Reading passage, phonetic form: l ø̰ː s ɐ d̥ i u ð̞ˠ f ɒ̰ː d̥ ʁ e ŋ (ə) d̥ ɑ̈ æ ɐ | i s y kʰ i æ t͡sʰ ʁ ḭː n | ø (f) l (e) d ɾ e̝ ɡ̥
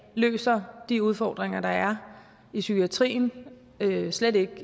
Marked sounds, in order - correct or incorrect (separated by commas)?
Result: incorrect, incorrect, correct